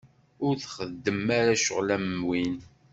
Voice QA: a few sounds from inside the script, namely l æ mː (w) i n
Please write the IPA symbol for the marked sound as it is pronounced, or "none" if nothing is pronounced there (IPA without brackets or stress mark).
w